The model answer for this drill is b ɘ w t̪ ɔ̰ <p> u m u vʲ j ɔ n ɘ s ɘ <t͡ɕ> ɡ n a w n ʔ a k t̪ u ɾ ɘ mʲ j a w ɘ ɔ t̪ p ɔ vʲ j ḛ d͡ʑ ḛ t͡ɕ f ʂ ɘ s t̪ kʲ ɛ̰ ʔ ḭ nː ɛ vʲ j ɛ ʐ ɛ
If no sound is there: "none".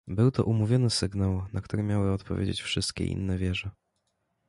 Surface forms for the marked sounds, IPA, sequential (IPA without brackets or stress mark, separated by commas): ʔ, none